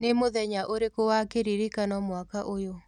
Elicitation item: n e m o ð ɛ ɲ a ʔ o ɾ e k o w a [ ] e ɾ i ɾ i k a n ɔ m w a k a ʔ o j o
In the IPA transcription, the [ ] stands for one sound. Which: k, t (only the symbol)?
k